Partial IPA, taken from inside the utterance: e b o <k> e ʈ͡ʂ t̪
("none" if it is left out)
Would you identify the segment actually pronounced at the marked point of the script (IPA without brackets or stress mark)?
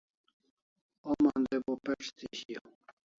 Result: p